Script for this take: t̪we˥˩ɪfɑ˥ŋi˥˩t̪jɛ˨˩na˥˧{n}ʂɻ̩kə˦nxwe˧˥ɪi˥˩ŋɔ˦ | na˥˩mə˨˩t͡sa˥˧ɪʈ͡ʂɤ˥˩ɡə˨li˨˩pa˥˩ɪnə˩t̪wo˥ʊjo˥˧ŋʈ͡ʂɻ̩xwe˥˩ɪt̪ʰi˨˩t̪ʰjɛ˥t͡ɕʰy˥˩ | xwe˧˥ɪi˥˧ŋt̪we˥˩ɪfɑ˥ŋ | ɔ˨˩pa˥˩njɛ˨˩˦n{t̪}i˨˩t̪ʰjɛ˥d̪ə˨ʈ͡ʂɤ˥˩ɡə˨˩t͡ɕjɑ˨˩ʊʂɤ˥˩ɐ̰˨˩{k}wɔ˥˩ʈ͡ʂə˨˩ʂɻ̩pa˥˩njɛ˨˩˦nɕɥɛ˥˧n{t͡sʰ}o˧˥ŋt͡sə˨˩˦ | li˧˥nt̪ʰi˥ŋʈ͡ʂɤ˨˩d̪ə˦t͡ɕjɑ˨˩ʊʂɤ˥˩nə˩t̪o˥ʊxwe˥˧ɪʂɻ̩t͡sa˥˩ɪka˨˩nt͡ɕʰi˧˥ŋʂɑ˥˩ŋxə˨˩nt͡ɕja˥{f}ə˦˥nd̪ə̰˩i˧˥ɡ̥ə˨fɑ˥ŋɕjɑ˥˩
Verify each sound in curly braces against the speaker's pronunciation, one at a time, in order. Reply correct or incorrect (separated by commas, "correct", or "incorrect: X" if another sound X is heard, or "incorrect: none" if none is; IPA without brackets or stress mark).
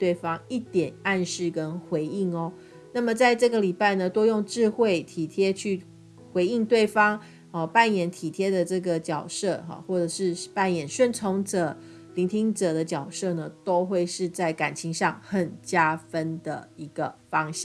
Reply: correct, incorrect: t̪ʰ, incorrect: x, correct, correct